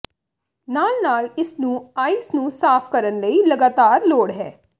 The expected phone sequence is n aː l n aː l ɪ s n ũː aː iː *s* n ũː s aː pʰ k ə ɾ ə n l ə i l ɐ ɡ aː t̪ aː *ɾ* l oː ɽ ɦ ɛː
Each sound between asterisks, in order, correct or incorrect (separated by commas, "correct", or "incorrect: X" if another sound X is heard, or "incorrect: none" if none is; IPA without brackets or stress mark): correct, correct